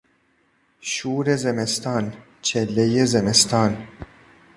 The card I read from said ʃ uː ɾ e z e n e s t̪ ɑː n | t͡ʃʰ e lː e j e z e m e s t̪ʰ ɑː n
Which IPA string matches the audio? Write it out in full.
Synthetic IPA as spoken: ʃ uː ɾ e z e m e s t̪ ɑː n | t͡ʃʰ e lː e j e z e m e s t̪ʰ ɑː n